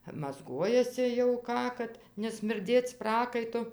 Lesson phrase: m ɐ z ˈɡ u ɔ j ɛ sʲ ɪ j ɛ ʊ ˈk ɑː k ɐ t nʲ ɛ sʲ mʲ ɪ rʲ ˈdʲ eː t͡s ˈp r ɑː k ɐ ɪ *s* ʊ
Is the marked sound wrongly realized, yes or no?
yes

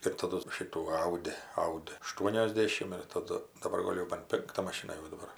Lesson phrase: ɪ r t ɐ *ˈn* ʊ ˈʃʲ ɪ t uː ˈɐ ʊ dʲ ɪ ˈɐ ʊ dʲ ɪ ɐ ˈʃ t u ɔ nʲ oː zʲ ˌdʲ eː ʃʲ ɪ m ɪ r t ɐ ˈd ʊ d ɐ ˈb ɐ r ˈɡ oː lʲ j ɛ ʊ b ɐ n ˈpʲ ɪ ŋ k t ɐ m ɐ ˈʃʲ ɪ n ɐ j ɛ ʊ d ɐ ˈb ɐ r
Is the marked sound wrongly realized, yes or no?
yes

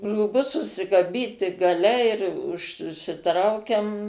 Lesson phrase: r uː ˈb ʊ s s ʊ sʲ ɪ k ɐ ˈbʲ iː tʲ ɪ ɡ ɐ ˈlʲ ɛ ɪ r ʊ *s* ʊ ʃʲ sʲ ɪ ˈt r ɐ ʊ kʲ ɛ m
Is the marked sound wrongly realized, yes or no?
yes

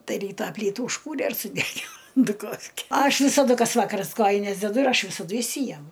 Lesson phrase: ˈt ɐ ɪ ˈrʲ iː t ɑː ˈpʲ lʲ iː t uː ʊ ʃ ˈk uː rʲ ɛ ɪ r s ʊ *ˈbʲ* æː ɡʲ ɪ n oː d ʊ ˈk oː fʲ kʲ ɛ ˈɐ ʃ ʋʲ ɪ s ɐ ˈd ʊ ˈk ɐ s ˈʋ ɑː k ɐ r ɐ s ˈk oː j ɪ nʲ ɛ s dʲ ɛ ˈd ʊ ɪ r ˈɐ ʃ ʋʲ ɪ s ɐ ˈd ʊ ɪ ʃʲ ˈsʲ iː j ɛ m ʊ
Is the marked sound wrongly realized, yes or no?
yes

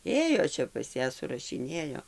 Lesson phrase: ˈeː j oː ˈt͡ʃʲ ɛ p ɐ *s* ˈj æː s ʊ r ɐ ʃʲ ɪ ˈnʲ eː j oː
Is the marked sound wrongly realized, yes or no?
no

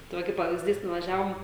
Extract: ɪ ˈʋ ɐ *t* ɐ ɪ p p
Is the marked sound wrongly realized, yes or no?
yes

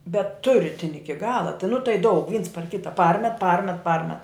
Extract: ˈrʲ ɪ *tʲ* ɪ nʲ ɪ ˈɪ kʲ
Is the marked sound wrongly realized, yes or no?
no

